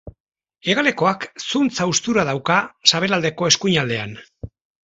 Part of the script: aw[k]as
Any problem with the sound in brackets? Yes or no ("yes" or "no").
no